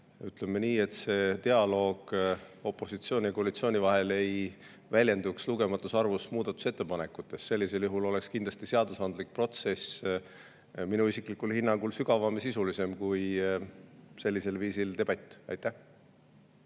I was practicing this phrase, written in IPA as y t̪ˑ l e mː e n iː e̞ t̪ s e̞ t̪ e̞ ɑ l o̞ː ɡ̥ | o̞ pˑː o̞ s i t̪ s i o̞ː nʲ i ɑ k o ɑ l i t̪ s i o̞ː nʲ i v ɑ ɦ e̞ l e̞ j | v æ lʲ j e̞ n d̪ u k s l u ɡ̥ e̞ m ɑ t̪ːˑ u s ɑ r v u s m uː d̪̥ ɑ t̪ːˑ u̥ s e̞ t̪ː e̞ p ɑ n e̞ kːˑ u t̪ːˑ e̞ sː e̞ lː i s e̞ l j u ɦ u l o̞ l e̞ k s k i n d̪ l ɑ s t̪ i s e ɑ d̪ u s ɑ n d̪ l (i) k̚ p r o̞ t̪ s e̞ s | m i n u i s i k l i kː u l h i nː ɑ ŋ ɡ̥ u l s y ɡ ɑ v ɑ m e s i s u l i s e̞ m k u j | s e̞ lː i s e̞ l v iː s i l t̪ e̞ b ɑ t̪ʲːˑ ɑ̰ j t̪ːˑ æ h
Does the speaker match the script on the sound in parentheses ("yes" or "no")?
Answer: yes